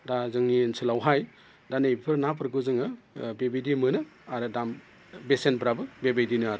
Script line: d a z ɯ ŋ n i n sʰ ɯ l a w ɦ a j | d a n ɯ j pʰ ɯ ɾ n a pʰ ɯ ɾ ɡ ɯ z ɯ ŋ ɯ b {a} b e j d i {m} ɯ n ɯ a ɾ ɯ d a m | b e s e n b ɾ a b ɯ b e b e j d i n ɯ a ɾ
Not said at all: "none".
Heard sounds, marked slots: e, m

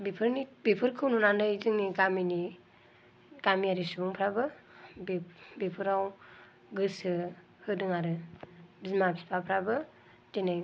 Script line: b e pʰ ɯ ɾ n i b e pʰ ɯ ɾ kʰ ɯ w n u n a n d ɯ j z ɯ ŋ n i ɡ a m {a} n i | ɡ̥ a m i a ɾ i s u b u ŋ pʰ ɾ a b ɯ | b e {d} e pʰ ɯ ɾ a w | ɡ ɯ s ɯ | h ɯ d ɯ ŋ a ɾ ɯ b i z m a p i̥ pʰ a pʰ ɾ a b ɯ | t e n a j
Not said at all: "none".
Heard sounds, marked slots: i, b

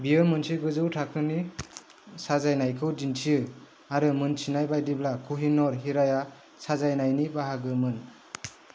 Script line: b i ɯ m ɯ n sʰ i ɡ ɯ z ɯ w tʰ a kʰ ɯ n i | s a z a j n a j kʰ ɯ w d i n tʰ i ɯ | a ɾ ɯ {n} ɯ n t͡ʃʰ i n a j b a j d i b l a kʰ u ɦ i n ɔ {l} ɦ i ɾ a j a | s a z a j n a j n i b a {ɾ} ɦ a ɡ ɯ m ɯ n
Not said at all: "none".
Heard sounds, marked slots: m, ɾ, none

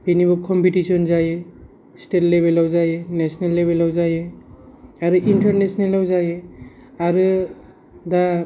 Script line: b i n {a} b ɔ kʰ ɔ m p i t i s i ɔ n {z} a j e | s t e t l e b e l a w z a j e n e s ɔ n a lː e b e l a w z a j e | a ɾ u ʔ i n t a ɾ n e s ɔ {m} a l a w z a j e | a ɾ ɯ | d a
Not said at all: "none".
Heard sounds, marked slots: i, z, n

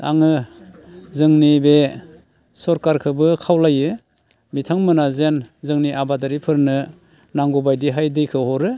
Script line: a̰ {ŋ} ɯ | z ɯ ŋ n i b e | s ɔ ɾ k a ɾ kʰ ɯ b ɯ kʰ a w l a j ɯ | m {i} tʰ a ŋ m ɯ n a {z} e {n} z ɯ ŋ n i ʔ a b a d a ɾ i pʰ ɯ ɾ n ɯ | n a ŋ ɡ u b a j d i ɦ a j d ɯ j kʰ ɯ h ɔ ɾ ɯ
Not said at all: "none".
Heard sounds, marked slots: ŋ, i, z, n

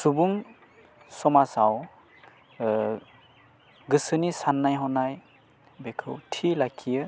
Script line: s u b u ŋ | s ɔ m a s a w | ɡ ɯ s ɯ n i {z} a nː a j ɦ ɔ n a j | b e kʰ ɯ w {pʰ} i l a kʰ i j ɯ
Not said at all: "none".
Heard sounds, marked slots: s, tʰ

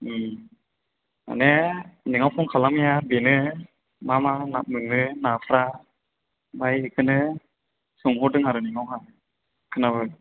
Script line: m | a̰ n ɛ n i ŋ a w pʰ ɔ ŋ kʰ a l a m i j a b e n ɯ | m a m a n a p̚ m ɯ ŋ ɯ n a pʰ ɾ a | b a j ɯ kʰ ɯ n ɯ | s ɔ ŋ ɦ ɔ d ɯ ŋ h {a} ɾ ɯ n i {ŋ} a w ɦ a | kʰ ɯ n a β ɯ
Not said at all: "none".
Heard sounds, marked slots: a, ŋ

